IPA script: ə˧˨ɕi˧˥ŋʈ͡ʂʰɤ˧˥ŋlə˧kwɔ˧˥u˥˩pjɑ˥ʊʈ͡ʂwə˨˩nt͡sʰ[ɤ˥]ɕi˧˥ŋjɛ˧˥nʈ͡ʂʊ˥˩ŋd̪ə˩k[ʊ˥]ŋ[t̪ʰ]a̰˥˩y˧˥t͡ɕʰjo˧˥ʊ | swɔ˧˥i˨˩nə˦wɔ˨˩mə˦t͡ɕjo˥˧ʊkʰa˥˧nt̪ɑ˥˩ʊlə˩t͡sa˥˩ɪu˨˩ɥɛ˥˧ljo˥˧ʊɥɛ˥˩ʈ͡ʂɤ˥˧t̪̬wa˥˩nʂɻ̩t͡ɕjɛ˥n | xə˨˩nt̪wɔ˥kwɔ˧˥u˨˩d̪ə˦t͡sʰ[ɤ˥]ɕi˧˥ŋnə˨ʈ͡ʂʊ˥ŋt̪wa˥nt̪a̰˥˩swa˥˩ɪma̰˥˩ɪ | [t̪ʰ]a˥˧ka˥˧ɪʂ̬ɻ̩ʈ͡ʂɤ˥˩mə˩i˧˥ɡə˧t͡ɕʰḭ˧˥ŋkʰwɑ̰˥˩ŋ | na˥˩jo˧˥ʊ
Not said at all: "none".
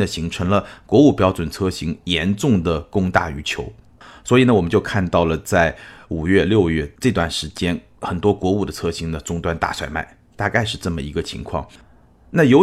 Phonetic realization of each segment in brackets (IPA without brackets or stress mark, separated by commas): ɤ˥, ʊ˥, t̪, ɤ˥, t̪